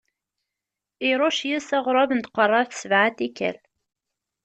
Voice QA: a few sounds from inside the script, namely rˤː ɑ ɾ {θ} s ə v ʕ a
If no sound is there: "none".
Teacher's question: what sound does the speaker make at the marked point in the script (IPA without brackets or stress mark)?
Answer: θ